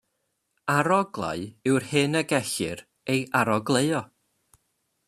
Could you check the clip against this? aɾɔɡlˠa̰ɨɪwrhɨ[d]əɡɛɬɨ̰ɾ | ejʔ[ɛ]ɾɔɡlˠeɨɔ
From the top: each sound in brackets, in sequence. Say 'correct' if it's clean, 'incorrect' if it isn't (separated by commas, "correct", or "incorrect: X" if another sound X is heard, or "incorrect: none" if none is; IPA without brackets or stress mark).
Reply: incorrect: n, incorrect: a